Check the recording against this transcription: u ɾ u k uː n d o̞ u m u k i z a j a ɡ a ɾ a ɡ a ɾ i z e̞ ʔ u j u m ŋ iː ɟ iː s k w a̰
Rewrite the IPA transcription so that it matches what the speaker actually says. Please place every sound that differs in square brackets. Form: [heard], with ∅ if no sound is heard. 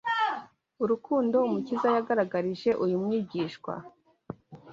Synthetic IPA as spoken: u ɾ u k uː n d o̞ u m u [c] i z a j a ɡ a ɾ a ɡ a ɾ i [ʒ] e̞ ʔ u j u m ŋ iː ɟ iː [ʃ] k w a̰

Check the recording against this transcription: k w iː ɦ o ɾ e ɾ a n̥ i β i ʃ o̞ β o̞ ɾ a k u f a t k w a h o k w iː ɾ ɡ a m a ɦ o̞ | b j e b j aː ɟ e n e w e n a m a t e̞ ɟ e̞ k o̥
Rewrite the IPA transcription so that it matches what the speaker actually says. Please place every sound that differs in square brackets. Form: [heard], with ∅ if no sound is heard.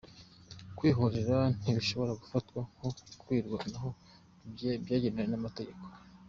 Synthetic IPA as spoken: k w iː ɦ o ɾ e ɾ a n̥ i β i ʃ o̞ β o̞ ɾ a [ɡ] u f a t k w a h o k w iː ɾ ɡ a [n] a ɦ o̞ | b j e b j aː ɟ e n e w e n a m a t e̞ ɟ e̞ k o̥

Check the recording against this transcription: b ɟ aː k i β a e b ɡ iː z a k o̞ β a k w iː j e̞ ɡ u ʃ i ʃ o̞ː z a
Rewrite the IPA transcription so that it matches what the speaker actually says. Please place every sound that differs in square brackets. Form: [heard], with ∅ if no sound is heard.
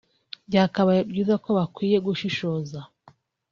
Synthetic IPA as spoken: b ɟ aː k [a] β a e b [ɟ] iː z a k o̞ β a k w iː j e̞ ɡ u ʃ i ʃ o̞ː z a

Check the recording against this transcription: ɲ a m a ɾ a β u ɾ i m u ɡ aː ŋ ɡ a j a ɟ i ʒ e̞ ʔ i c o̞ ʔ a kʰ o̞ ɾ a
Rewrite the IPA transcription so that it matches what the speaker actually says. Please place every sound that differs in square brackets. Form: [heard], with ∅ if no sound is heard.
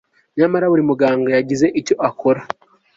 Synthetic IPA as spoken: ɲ a m a ɾ a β u ɾ i m u ɡ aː ŋ ɡ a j a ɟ i [z] e̞ ʔ i c o̞ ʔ a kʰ o̞ ɾ a

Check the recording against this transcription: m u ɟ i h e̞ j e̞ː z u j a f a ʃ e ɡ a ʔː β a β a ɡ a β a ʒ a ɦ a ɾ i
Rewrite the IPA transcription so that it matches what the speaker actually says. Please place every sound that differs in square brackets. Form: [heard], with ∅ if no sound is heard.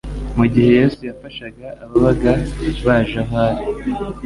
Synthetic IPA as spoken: m u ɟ i h e̞ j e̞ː [s] u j a f a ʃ [a] ɡ a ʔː β a β a ɡ a β a ʒ a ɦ a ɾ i

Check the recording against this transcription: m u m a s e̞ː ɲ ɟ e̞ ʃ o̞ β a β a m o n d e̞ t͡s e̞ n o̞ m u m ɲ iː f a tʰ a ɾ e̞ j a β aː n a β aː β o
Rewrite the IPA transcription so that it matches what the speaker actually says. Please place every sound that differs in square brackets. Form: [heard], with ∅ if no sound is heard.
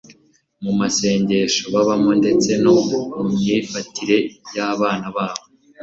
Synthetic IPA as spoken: m u m a s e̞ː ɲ ɟ e̞ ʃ o̞ β a β a m o n d e̞ t͡s e̞ n o̞ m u m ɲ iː f a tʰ [i] ɾ e̞ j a β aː n a β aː β o

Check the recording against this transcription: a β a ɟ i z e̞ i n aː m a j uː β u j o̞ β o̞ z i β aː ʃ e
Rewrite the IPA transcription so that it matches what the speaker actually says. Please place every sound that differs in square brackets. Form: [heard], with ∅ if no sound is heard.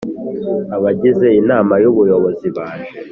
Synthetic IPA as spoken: a β a ɟ i z e̞ i n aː m a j [u] β u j o̞ β o̞ z i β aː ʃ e

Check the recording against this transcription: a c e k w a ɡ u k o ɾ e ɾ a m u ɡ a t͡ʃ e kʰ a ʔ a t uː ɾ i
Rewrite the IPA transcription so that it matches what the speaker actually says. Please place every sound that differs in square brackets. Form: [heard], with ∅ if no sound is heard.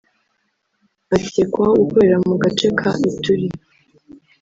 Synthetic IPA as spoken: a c e k w a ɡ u k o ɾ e ɾ a m u ɡ a t͡ʃ e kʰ a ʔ [i] t [u] ɾ i

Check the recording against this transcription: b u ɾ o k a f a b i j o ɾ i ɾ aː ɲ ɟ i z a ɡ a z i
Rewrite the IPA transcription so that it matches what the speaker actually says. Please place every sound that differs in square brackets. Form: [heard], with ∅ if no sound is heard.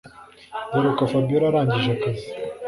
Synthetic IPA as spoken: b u ɾ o k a f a b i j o ɾ [a] ɾ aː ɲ ɟ i [ʒ] a [k] a z i

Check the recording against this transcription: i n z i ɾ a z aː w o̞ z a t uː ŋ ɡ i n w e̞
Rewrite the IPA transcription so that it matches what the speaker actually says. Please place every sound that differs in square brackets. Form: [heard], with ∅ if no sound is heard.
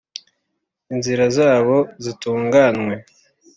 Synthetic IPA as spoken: i n z i ɾ a z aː [β] o̞ z [i] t uː ŋ ɡ [a] n w e̞

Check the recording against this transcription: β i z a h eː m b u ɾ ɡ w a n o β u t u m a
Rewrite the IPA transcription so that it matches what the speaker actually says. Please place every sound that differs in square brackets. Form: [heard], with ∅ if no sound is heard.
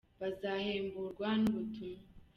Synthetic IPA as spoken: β [a] z a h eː m b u ɾ ɡ w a n [u] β u t u m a

